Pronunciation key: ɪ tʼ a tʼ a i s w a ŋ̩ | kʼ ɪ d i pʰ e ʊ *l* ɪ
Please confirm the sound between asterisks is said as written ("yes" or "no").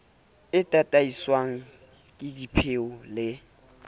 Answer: yes